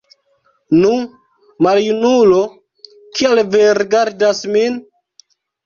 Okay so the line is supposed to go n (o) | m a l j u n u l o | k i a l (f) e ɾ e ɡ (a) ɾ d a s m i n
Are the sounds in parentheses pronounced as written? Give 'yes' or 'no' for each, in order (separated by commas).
no, no, yes